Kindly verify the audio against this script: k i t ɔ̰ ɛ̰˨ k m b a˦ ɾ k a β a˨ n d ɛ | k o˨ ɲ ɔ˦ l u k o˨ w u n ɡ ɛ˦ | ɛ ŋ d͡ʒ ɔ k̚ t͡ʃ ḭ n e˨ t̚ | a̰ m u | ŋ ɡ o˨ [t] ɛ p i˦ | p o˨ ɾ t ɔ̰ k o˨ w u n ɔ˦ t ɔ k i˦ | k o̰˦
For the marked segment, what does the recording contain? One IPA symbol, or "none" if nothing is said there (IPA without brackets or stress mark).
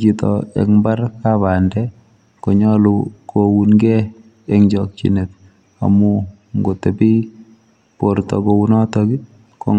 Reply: t